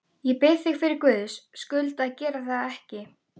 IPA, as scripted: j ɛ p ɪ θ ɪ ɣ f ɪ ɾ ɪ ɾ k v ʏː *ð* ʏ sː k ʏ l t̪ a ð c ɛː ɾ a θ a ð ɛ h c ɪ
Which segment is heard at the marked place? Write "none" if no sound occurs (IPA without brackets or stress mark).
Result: ð